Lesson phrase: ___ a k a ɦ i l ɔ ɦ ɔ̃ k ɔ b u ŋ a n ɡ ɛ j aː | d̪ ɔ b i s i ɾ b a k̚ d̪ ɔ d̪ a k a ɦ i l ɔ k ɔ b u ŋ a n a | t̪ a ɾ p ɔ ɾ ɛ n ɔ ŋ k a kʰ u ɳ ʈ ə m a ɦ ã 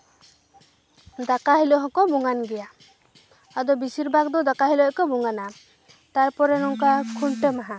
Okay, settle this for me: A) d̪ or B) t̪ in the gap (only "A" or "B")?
A